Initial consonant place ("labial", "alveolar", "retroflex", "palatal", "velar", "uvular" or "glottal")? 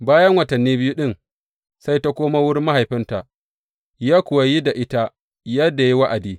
labial